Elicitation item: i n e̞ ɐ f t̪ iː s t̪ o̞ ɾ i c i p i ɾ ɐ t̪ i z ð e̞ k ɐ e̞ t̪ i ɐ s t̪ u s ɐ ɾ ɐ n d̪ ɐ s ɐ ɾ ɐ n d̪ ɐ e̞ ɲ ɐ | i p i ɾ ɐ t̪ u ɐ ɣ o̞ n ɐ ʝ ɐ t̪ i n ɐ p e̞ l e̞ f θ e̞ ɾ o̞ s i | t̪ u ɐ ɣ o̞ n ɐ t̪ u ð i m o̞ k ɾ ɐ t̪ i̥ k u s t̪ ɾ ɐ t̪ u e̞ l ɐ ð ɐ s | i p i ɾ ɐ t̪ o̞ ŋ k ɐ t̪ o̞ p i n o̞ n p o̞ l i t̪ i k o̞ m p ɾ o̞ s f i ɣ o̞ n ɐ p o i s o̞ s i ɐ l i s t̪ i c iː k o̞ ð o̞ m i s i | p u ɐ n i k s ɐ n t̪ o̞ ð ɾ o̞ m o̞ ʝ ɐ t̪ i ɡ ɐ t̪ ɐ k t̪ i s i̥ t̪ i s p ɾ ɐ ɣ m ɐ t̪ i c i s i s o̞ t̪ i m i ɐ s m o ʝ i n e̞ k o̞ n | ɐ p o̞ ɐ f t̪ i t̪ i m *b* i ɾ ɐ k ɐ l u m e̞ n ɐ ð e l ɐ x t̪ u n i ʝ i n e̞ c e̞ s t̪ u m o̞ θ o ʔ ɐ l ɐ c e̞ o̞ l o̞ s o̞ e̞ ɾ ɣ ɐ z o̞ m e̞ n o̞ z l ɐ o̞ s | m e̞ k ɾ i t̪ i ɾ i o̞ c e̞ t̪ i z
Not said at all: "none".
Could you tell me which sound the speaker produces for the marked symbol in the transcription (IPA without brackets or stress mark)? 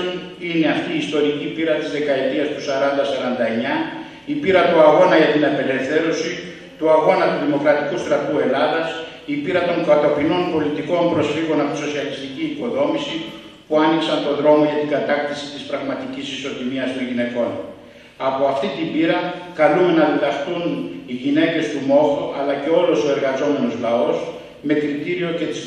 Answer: b